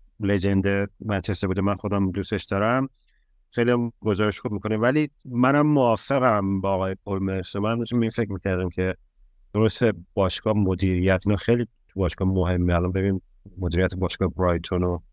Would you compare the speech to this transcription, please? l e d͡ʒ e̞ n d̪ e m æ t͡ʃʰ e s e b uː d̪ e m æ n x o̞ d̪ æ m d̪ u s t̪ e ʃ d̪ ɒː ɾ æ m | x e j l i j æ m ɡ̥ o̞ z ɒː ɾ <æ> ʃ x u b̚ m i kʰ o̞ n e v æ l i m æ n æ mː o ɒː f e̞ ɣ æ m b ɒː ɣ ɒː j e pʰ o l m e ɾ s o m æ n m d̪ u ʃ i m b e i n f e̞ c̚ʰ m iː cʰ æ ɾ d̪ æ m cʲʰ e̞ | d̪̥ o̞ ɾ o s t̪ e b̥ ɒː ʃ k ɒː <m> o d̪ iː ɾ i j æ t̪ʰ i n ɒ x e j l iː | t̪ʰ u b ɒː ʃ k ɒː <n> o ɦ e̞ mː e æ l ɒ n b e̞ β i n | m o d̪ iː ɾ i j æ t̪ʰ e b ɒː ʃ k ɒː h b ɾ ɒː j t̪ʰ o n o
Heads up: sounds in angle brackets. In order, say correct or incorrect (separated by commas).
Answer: incorrect, correct, incorrect